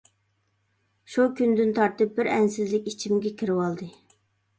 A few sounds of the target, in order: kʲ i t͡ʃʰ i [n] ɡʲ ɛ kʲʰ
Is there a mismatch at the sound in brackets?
yes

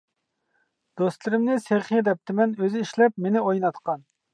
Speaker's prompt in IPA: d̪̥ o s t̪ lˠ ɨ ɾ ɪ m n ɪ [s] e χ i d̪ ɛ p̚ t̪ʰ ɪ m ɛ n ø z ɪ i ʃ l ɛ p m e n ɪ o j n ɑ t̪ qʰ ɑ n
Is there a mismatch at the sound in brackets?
no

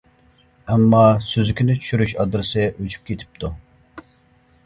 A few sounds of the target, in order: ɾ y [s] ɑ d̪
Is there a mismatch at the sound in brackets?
yes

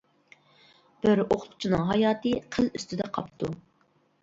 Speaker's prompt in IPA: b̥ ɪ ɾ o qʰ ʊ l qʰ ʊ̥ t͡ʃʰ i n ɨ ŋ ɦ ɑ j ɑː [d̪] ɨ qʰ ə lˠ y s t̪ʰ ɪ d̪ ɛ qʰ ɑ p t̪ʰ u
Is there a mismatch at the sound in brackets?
yes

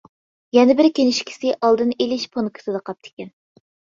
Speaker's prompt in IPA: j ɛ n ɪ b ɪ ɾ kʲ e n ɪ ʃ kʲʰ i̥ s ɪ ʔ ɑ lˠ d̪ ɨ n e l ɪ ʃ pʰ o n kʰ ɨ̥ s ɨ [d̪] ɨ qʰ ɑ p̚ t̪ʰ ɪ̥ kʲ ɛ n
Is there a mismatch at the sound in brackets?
no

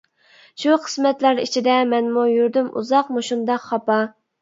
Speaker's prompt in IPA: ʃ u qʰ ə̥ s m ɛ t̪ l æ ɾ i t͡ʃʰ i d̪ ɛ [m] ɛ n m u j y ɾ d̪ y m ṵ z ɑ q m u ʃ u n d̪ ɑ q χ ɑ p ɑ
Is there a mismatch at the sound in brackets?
no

